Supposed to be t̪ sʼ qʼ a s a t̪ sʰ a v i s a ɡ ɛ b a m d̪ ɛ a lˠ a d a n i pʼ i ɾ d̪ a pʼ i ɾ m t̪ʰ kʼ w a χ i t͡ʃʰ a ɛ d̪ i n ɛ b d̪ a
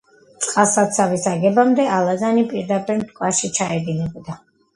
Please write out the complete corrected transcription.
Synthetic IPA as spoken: t̪ sʼ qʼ a s a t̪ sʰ a v i s a ɡ ɛ b a m d̪ ɛ a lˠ a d a n i pʼ i ɾ d̪ a pʼ i ɾ m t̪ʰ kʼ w a ʃ i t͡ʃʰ a ɛ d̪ i n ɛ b d̪ a

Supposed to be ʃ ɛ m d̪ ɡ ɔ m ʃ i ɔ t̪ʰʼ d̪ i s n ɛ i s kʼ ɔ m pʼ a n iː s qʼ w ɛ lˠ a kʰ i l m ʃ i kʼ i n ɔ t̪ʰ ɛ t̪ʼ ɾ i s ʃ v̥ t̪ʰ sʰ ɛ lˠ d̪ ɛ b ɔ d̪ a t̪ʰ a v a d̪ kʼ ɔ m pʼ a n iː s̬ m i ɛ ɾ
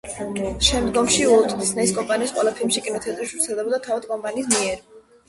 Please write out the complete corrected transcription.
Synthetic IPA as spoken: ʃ ɛ m d̪ ɡ ɔ m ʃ i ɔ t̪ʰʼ d̪ i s n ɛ i s kʼ ɔ m pʼ a n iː s qʼ w ɛ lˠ a pʰ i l m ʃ i kʼ i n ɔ t̪ʰ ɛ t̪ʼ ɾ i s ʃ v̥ t̪ sʰ ɛ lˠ d̪ ɛ b ɔ d̪ a t̪ʰ a v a d̪ kʼ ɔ m pʼ a n iː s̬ m i ɛ ɾ

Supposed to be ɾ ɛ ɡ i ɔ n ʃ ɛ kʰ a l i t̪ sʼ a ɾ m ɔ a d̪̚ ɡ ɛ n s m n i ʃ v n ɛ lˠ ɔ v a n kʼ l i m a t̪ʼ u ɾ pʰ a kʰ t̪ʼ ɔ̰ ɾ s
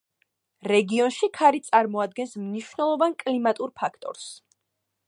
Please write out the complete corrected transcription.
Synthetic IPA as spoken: ɾ ɛ ɡ i ɔ n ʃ i kʰ a ɾ i t̪ sʼ a ɾ m ɔ a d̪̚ ɡ ɛ n s m n i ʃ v n ɛ lˠ ɔ v a n kʼ l i m a t̪ʼ u ɾ pʰ a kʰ t̪ʼ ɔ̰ ɾ s

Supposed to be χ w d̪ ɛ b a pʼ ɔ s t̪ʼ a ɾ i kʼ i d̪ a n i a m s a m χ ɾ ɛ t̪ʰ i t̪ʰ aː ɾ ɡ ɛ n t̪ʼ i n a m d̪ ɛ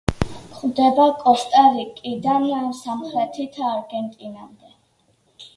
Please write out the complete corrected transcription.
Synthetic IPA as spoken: χ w d̪ ɛ b a kʼ ɔ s t̪ʼ a ɾ i kʼ i d̪ a n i a m s a m χ ɾ ɛ t̪ʰ i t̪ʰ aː ɾ ɡ ɛ n t̪ʼ i n a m d̪ ɛ

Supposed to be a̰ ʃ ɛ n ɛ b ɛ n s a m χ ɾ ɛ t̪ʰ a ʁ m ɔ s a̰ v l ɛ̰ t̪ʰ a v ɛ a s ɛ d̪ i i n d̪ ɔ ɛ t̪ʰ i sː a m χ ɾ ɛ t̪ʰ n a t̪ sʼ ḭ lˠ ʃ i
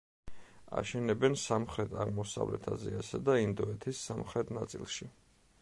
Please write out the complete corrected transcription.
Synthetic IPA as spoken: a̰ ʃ ɛ n ɛ b ɛ n s a m χ ɾ ɛ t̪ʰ a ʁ m ɔ s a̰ v l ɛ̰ t̪ʰ a z ɛ a s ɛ d̪ a i n d̪ ɔ ɛ t̪ʰ i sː a m χ ɾ ɛ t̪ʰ n a t̪ sʼ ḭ lˠ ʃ i

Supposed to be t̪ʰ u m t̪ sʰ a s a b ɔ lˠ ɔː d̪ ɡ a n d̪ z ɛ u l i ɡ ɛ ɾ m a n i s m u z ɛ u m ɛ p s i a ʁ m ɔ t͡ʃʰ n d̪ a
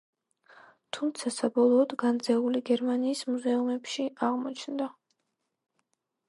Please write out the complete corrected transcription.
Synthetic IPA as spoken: t̪ʰ u m t̪ sʰ a s a b ɔ lˠ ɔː d̪ ɡ a n d̪ z ɛ u l i ɡ ɛ ɾ m a n iː s m u z ɛ u m ɛ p ʃ i a ʁ m ɔ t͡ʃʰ n d̪ a

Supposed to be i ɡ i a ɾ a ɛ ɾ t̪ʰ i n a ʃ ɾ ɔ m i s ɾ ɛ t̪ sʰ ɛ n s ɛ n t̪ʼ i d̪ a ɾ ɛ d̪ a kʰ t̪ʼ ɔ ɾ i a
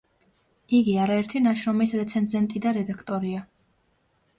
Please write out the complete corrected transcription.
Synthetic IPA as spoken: i ɡ i a ɾ a ɛ ɾ t̪ʰ i n a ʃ ɾ ɔ m i s ɾ ɛ t̪ sʰ ɛ n z ɛ n t̪ʼ i d̪ a ɾ ɛ d̪ a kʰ t̪ʼ ɔ ɾ i a

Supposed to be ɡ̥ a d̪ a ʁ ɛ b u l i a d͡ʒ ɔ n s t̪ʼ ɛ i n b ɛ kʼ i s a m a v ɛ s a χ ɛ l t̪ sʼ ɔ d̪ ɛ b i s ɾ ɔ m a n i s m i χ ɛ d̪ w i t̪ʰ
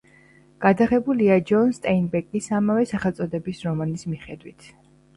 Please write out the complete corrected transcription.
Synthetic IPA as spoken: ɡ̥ a d̪ a ʁ ɛ b u l i a d͡ʒ ɔ n s t̪ʼ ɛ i n b ɛ kʼ i s a m a v ɛ s a χ ɛ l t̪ sʼ ɔ d̪ ɛ b i s ɾ ɔ m a n i s m i χ ɛ d̪ w i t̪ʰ

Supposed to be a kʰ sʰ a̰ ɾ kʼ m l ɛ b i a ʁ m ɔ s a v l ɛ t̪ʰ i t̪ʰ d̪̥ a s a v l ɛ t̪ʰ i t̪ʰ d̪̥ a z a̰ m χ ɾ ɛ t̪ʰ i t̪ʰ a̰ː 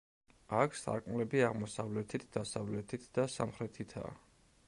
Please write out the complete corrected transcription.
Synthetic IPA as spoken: a kʰ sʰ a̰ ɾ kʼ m l ɛ b i a ʁ m ɔ s a v l ɛ t̪ʰ i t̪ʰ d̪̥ a s a v l ɛ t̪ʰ i t̪ʰ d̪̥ a s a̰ m χ ɾ ɛ t̪ʰ i t̪ʰ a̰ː

